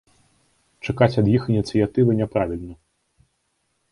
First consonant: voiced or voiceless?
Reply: voiceless